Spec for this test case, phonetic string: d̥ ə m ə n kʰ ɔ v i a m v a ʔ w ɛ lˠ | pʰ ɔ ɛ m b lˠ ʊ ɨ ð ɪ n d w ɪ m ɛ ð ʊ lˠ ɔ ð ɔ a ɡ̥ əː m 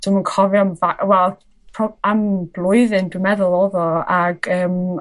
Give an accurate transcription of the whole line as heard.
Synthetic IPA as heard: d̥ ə m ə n kʰ ɔ v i a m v a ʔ w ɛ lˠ | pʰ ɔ a m b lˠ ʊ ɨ ð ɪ n d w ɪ m ɛ ð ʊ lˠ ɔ ð ɔ a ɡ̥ əː m